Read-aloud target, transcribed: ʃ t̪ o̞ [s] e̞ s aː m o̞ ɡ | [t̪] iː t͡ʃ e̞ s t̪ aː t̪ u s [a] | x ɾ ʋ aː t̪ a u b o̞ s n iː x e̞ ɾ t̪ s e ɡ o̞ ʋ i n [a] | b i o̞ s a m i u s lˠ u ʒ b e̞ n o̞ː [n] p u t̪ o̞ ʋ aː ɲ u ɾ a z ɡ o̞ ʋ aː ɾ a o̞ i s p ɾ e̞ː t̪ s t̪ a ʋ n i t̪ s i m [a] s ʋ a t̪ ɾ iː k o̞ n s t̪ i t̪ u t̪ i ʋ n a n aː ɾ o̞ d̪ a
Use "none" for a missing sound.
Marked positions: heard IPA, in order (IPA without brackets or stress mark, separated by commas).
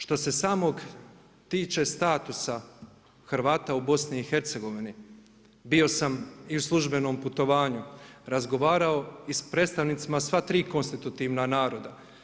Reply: s, t̪, a, i, m, a